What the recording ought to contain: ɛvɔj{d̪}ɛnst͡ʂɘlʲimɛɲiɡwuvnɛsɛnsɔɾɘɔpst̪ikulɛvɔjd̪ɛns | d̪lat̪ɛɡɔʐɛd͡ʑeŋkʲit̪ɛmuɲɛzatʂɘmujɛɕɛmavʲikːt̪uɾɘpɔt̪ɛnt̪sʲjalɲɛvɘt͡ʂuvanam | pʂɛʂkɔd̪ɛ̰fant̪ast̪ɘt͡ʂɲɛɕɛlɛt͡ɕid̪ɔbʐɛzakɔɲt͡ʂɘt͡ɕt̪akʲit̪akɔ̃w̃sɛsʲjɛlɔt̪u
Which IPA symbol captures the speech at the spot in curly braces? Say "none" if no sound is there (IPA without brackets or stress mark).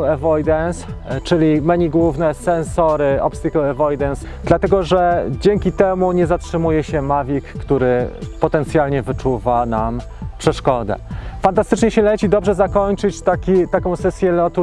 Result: d̪